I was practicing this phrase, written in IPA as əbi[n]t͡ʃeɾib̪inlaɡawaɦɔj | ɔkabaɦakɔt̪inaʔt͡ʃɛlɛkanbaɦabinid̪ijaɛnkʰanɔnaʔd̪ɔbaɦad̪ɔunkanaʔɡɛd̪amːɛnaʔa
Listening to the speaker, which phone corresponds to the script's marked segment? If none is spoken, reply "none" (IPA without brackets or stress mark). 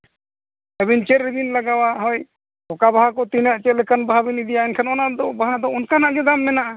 n